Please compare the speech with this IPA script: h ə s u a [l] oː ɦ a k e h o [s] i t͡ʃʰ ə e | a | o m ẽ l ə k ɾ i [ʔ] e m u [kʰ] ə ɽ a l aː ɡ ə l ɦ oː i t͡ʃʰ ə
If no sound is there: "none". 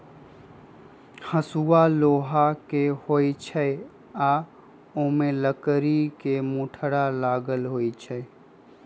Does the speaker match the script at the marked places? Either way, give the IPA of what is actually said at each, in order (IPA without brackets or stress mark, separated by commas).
l, none, k, ʈʰ